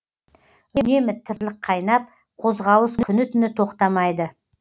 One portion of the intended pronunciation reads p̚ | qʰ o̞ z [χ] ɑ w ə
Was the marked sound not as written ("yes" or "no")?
yes